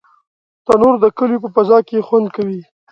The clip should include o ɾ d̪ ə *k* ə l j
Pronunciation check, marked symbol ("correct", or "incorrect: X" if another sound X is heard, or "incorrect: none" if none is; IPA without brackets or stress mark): correct